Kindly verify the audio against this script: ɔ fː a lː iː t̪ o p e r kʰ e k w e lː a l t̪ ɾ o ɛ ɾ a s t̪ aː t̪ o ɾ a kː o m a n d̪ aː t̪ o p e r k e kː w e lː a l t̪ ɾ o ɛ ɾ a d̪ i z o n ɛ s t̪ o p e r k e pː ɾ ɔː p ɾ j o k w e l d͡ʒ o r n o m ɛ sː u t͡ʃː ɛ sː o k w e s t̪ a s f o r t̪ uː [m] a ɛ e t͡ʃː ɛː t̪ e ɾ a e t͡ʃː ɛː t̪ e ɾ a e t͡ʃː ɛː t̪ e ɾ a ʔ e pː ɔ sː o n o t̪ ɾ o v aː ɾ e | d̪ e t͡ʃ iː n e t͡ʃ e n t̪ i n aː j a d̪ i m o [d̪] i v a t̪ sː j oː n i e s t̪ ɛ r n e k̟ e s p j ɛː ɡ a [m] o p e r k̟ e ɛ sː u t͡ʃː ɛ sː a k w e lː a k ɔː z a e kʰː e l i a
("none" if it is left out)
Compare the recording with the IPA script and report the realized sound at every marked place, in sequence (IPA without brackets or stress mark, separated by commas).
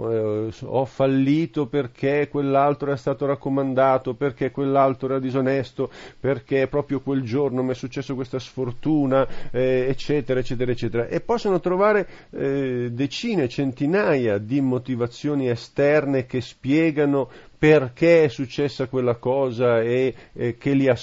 n, t̪, n